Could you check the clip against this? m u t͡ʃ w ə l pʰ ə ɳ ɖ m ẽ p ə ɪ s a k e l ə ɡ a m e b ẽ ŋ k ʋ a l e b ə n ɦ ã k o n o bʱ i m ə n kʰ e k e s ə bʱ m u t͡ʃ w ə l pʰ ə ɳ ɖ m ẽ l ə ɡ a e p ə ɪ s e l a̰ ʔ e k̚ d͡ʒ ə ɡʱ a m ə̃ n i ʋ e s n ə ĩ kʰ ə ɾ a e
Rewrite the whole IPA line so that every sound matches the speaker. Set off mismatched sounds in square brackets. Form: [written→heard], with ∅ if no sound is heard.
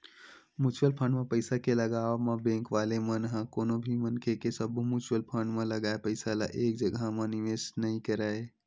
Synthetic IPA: m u t͡ʃ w ə l pʰ ə ɳ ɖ m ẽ p ə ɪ s a k e l ə ɡ a m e b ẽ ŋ k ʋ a l e [b→m] ə n ɦ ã k o n o bʱ i m ə n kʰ e k e s ə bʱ m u t͡ʃ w ə l pʰ ə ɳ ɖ m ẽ l ə ɡ a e p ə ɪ s [e→a] l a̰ ʔ e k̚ d͡ʒ ə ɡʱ a m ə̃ n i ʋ e s n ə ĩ [kʰ→k] ə ɾ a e